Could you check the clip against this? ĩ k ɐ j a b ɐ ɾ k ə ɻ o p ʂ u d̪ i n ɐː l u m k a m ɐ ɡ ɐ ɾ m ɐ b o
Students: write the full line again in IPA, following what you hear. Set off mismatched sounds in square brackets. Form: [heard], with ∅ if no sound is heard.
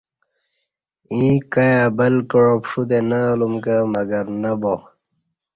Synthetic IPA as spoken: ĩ k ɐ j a b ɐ [l] k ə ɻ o p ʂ u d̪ [e] n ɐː l u m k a m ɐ ɡ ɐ ɾ [n] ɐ b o

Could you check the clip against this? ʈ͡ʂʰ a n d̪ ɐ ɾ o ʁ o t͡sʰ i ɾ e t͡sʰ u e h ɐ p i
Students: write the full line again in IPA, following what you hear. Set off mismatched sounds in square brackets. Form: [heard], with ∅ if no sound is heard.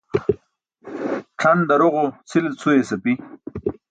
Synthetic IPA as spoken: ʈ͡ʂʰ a n d̪ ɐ ɾ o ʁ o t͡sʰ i [l] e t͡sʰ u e [s] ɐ p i

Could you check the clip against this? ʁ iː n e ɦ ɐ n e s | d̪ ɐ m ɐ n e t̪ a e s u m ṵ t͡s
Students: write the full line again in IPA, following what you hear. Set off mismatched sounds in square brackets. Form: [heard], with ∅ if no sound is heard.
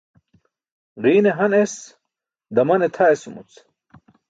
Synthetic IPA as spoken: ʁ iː n e ɦ ɐ n e s | d̪ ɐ m ɐ n e [t̪ʰ] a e s u m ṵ t͡s

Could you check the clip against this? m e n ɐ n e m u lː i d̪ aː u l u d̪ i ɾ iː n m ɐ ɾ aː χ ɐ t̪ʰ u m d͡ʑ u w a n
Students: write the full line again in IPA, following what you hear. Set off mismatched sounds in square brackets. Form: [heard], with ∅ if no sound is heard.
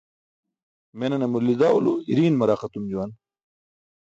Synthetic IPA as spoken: m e n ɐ n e m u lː i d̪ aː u l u [∅] i ɾ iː n m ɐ ɾ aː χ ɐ [t̪] u m d͡ʑ u w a n

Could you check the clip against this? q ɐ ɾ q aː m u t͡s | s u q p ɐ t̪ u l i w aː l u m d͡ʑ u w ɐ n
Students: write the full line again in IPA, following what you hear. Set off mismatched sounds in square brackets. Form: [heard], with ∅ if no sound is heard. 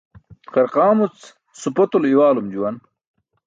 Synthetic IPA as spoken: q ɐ ɾ q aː m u t͡s | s u [∅] p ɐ t̪ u l i w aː l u m d͡ʑ u w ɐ n

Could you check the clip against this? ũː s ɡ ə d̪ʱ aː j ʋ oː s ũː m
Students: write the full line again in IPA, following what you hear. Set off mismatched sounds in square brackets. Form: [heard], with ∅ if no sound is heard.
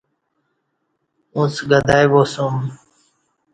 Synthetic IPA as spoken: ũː s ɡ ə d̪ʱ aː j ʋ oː s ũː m

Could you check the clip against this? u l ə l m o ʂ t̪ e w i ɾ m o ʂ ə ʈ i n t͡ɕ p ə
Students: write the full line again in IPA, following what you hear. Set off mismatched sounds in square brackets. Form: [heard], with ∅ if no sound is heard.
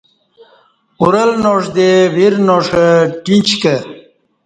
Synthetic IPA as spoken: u [ɾ] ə l [n] o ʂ [d̪] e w i ɾ [n] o ʂ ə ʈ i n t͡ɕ [k] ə

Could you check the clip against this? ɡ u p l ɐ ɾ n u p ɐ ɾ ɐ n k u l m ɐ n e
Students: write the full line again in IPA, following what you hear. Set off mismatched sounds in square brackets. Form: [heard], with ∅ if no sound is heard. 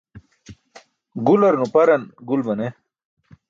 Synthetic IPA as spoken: ɡ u [∅] l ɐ ɾ n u p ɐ ɾ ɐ n [ɡ] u l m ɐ n e

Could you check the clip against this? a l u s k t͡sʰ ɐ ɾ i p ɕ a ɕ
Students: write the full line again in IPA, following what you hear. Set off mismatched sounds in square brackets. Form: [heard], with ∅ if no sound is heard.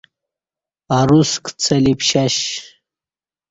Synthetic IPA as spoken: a [ɾ] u s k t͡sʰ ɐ [l] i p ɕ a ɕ

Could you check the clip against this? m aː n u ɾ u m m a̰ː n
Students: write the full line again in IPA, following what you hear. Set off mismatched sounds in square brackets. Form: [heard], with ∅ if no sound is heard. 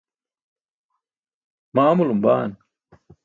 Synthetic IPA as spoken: m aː [m] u [l] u m [b] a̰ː n

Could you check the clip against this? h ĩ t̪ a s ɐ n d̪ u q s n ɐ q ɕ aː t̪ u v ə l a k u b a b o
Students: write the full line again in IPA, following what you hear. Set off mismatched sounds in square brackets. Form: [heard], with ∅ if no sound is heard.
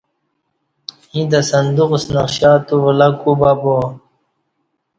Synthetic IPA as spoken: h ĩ [d̪] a s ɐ n d̪ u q s n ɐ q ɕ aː t̪ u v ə l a k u b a b o

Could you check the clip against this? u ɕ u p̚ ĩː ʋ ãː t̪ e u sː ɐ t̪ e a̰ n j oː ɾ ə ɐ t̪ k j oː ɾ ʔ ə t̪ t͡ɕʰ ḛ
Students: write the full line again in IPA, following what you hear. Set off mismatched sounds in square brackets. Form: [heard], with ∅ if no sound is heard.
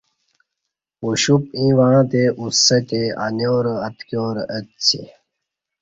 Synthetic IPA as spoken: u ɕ u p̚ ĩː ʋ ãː t̪ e u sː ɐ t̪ e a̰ n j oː ɾ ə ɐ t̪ k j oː ɾ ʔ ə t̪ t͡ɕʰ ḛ

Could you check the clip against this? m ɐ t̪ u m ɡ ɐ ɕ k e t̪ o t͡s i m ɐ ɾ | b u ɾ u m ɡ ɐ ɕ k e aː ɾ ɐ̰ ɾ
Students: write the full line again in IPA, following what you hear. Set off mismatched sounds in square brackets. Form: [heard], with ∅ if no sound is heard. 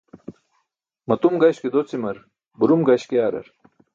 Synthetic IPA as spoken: m ɐ t̪ u m ɡ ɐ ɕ k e [d̪] o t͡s i m ɐ ɾ | b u ɾ u m ɡ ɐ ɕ k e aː ɾ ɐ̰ ɾ

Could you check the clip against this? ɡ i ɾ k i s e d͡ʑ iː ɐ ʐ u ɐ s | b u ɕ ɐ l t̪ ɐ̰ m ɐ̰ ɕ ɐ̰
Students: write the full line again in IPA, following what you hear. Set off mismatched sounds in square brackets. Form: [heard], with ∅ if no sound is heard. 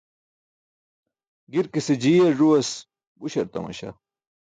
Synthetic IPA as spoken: ɡ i ɾ k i s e d͡ʑ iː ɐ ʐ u ɐ s | b u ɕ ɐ [ɾ] t̪ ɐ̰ m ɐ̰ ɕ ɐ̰

